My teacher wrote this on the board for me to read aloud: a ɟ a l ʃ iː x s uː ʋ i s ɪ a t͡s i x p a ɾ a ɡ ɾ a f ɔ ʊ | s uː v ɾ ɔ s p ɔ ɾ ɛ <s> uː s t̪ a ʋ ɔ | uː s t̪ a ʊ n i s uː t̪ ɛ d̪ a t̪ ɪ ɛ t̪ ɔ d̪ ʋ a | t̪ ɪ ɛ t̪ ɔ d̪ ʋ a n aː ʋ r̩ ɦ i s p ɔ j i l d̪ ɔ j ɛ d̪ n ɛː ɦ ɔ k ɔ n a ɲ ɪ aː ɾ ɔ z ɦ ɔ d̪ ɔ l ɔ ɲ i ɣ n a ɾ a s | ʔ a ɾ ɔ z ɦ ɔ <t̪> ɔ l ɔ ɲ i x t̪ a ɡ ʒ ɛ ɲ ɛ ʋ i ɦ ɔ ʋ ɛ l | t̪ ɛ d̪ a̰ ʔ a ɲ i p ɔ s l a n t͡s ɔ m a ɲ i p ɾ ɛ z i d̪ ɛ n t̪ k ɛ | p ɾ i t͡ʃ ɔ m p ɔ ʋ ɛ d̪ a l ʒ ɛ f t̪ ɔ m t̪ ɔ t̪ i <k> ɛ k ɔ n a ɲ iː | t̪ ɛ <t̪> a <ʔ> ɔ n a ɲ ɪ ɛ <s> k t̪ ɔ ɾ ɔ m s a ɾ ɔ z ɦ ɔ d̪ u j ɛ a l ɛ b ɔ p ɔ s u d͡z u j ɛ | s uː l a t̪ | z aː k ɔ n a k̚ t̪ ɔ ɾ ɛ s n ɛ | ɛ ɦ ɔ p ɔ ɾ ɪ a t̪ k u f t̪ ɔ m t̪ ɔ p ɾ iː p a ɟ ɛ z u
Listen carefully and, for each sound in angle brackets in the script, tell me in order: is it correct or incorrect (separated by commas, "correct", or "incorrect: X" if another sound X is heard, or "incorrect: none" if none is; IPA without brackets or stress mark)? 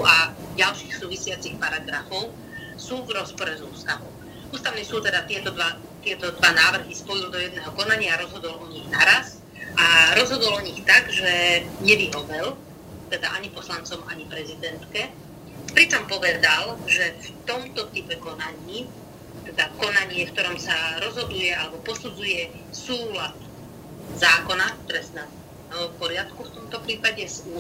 incorrect: z, incorrect: d̪, incorrect: p, incorrect: d̪, incorrect: k, incorrect: f